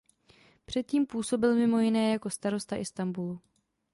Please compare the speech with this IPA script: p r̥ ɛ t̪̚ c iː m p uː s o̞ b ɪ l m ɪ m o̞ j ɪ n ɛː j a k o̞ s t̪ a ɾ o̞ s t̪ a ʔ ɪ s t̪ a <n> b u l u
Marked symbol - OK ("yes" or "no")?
no